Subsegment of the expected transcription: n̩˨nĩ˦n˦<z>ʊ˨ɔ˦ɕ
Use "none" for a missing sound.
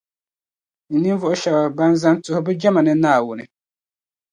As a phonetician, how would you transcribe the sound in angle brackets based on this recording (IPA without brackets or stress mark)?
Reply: v